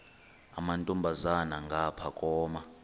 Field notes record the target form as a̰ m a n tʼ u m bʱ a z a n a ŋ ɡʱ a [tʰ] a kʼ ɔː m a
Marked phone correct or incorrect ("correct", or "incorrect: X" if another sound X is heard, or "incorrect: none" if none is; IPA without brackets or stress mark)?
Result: incorrect: pʰ